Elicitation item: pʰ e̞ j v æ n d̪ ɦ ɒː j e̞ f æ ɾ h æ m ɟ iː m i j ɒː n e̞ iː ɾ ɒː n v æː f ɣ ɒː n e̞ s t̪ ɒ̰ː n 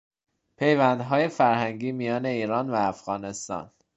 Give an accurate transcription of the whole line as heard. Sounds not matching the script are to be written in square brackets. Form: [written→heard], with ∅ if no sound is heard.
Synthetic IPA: pʰ e̞ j v æ n d̪ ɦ ɒː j e̞ f æ ɾ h æ [m→ŋ] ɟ iː m i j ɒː n e̞ iː ɾ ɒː n v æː f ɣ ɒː n e̞ s t̪ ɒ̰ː n

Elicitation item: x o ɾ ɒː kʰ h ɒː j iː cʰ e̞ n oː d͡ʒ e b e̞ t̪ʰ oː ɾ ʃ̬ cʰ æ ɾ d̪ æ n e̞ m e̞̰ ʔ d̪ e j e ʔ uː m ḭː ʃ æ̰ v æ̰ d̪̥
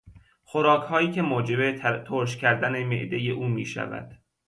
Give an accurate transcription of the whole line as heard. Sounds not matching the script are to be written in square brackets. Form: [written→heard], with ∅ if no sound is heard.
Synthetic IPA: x o ɾ ɒː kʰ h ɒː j iː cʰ e̞ [n→m] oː d͡ʒ e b e̞ t̪ʰ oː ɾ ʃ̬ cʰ æ ɾ d̪ æ n e̞ m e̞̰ ʔ d̪ e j e ʔ uː m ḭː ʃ æ̰ v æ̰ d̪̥

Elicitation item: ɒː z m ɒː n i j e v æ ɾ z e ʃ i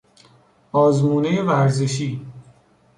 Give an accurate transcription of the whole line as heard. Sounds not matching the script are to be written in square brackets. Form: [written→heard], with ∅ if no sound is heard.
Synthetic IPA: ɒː z m [ɒː→uː] n [i→e] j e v æ ɾ z e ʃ [i→iː]

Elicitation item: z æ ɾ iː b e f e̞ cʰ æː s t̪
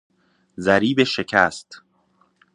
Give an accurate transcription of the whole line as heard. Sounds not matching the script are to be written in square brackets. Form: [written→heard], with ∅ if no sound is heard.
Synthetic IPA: z æ ɾ iː b e [f→ʃ] e̞ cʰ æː s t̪

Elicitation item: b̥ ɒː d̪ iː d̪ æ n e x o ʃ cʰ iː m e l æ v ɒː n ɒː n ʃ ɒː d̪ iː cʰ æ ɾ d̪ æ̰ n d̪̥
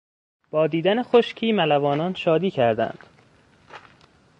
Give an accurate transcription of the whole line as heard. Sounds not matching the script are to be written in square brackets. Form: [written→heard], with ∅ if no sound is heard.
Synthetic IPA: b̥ ɒː d̪ iː d̪ æ n e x o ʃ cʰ iː m [e→æ] l æ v ɒː n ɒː n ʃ ɒː d̪ iː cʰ æ ɾ d̪ æ̰ n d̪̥

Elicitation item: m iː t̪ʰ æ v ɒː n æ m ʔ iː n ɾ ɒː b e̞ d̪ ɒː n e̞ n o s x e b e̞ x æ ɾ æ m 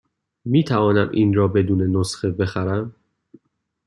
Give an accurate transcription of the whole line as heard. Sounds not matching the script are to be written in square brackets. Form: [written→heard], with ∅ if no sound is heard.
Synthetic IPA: m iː t̪ʰ æ v ɒː n æ m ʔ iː n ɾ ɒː b e̞ d̪ [ɒː→uː] n e̞ n o s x e b e̞ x æ ɾ æ m

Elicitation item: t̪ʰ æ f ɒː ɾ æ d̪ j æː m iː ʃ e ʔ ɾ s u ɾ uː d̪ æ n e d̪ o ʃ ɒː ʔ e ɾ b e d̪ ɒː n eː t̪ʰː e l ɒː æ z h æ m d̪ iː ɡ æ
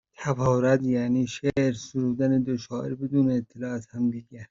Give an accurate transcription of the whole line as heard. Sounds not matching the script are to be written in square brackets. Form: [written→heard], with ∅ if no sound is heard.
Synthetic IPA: t̪ʰ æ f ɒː ɾ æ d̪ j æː [m→n] iː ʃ e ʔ ɾ s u ɾ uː d̪ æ n e d̪ o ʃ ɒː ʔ e ɾ b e d̪ [ɒː→uː] n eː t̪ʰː e l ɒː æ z h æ m d̪ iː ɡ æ

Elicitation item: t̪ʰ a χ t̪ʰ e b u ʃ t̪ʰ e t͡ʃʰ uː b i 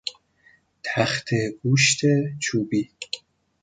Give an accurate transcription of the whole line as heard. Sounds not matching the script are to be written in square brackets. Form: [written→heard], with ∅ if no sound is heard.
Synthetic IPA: t̪ʰ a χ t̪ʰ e [b→ɡ] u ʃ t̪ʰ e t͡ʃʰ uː b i

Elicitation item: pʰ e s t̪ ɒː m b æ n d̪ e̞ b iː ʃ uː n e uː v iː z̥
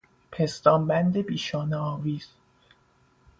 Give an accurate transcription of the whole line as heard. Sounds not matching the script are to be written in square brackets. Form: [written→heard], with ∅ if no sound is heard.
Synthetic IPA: pʰ e s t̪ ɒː m b æ n d̪ e̞ b iː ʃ [uː→ɒː] n e [uː→ɒː] v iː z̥

